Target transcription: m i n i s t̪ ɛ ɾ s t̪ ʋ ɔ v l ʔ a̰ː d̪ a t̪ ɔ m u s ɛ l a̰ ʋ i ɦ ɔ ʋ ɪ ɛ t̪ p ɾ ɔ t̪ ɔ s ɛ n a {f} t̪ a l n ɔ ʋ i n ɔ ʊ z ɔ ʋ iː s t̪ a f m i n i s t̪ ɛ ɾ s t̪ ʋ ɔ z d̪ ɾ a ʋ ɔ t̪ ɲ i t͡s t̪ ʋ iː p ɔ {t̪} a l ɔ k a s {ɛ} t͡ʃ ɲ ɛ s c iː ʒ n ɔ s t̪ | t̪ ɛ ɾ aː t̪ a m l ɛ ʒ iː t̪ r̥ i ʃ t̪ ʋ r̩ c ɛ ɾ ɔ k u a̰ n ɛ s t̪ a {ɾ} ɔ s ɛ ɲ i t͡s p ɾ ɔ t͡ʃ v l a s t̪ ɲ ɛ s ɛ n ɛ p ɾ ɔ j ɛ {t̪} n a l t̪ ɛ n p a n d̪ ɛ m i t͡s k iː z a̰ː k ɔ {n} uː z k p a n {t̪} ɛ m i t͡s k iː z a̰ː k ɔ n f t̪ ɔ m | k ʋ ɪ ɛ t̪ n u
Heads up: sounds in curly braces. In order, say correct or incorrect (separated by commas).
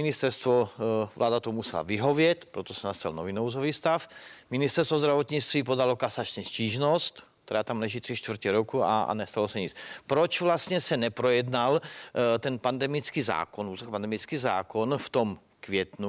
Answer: incorrect, incorrect, incorrect, incorrect, incorrect, correct, incorrect